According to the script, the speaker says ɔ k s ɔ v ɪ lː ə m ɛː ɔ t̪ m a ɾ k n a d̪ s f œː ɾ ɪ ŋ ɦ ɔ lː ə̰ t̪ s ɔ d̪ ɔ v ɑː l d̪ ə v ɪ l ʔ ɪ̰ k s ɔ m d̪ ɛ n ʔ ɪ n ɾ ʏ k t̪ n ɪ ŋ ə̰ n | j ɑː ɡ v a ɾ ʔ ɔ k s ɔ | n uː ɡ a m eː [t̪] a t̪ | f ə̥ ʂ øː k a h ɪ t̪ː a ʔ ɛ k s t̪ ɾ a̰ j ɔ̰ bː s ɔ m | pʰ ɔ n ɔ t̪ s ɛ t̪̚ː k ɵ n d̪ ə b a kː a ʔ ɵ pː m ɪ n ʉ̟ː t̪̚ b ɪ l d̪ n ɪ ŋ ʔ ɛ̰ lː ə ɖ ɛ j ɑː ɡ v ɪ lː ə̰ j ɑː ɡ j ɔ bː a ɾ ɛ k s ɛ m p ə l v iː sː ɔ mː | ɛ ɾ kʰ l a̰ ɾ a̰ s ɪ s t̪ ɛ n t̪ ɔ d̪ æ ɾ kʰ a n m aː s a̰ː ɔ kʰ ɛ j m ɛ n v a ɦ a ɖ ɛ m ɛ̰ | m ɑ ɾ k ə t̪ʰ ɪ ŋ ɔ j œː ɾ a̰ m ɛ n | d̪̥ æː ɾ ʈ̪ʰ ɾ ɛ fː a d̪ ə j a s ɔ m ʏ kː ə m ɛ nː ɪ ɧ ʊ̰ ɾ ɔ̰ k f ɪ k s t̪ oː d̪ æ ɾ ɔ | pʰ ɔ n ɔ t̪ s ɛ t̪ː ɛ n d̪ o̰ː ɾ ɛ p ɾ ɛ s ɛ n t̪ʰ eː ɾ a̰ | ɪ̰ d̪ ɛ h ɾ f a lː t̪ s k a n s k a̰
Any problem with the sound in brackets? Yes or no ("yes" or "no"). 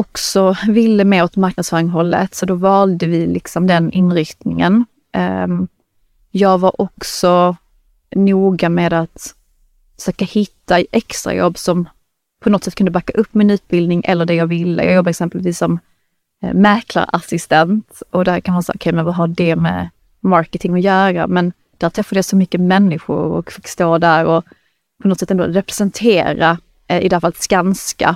yes